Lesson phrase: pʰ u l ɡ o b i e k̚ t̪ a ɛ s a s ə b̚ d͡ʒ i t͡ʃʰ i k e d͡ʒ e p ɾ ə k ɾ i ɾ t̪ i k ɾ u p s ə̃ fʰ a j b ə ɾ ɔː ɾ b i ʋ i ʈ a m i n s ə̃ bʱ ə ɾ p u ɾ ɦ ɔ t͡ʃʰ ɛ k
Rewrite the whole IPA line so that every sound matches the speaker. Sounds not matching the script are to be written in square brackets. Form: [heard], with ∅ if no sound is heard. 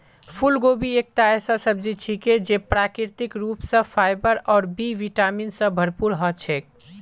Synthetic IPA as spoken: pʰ u l ɡ o b i e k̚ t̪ a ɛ s a s ə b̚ d͡ʒ i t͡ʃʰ i k e d͡ʒ e p ɾ [a] k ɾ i ɾ t̪ i k ɾ u p s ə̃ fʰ a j b ə ɾ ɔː ɾ b i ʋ i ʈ a m i n s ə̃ bʱ ə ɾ p u ɾ ɦ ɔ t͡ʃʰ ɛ k